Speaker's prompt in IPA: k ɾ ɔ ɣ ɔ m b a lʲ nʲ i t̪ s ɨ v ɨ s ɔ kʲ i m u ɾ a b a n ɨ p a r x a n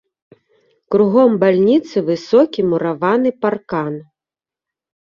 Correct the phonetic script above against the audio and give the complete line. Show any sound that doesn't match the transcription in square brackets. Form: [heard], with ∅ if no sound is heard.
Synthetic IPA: k ɾ [u] ɣ ɔ m b a lʲ nʲ i t̪ s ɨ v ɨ s ɔ kʲ i m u ɾ a [v] a n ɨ p a r [k] a n

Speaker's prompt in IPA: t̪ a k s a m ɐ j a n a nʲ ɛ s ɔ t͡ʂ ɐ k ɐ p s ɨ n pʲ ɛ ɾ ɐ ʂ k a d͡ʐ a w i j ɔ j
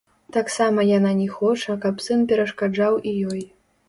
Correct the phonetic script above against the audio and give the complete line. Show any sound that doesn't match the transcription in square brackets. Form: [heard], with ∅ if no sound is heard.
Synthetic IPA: t̪ a k s a m ɐ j a n a nʲ ɛ [x] ɔ t͡ʂ ɐ k ɐ p s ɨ n pʲ ɛ ɾ ɐ ʂ k a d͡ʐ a w i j ɔ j

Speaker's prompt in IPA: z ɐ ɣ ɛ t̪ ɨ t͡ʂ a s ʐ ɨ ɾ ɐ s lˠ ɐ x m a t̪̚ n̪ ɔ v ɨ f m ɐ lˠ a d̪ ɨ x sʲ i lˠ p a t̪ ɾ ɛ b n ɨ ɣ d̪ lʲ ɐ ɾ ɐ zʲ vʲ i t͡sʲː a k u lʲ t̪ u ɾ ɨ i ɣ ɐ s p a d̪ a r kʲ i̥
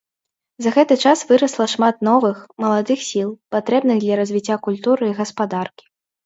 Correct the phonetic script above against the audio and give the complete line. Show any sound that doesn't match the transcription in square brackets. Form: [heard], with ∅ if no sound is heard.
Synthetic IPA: z ɐ ɣ ɛ t̪ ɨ t͡ʂ a s [v] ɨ ɾ ɐ s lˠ ɐ [ʂ] m a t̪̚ n̪ ɔ v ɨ [x] m ɐ lˠ a d̪ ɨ x sʲ i lˠ p a t̪ ɾ ɛ b n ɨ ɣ d̪ lʲ ɐ ɾ ɐ zʲ vʲ i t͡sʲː a k u lʲ t̪ u ɾ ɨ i ɣ ɐ s p a d̪ a r kʲ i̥

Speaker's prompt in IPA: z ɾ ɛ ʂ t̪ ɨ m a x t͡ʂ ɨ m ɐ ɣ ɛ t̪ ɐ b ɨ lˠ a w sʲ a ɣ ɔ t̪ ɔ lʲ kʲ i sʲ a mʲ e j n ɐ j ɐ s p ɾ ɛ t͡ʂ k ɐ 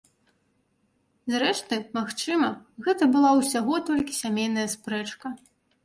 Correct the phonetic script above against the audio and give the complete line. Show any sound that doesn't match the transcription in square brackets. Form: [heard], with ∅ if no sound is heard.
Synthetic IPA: z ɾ ɛ ʂ t̪ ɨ m a x t͡ʂ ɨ m ɐ ɣ ɛ t̪ ɐ b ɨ lˠ a w sʲ a ɣ ɔ t̪ ɔ lʲ kʲ i sʲ a mʲ e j n ɐ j ɐ s p ɾ ɛ t͡ʂ k ɐ

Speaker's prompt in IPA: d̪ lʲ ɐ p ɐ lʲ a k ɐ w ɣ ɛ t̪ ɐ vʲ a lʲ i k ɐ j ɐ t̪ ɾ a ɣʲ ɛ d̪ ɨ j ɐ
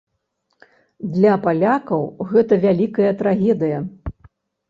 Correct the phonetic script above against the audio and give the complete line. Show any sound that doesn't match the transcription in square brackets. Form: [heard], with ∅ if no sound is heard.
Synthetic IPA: d̪ lʲ ɐ p [a] lʲ a k ɐ w ɣ ɛ t̪ ɐ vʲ a lʲ i k ɐ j ɐ t̪ ɾ a ɣʲ ɛ d̪ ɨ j ɐ

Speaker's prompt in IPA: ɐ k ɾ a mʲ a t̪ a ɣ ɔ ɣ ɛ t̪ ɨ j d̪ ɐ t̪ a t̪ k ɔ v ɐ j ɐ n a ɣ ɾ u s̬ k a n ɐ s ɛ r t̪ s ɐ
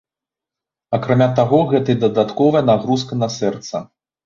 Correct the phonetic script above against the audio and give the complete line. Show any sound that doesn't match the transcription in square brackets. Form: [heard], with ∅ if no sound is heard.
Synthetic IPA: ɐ k ɾ a mʲ a t̪ a ɣ ɔ ɣ ɛ t̪ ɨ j d̪ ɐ [d̪] a t̪ k ɔ v ɐ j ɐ n a ɣ ɾ u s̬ k [ɐ] n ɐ s ɛ r t̪ s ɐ

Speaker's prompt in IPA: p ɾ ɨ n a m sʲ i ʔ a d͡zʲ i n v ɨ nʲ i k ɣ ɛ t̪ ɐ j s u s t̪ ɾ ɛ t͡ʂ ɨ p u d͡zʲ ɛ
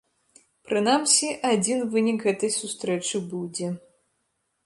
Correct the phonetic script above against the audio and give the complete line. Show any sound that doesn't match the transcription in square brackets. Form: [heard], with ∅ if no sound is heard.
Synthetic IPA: p ɾ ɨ n a m sʲ i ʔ a d͡zʲ i n v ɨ nʲ i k ɣ ɛ t̪ ɐ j s u s t̪ ɾ ɛ t͡ʂ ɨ [b] u d͡zʲ ɛ

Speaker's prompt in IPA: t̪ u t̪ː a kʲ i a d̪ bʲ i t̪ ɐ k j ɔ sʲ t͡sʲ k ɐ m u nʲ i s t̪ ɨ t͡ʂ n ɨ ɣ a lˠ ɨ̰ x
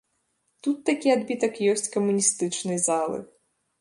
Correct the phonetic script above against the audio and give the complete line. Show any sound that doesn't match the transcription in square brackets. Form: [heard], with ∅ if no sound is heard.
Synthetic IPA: t̪ u t̪ː a kʲ i a d̪ bʲ i t̪ ɐ k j ɔ sʲ t͡sʲ k ɐ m u nʲ i s t̪ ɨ t͡ʂ n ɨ [z] a lˠ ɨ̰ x

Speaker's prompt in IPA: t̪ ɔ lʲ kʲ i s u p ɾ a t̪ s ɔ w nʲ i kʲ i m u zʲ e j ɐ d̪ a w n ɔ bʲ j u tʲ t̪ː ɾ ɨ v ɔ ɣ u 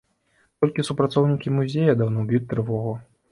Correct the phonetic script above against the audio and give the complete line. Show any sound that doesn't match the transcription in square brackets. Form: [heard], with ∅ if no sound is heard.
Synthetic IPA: t̪ ɔ lʲ kʲ i s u p ɾ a t̪ s ɔ w nʲ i kʲ i m u zʲ e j ɐ d̪ a w n ɔ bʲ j u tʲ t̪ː ɾ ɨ v ɔ ɣ u

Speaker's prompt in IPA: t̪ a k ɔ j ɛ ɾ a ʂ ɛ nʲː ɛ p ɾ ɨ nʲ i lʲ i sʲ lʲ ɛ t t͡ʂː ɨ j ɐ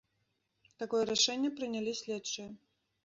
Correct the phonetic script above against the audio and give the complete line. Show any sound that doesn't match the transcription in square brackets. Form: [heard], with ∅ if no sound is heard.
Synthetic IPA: t̪ a k ɔ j ɛ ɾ a ʂ ɛ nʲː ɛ p ɾ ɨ nʲ [a] lʲ i sʲ lʲ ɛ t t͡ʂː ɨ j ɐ

